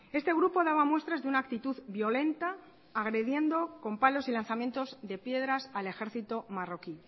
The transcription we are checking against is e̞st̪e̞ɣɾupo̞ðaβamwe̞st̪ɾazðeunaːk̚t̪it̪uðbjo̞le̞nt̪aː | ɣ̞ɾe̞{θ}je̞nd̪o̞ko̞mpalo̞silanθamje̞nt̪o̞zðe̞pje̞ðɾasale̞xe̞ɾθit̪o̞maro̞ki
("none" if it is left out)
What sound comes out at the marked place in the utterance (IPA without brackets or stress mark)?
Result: ð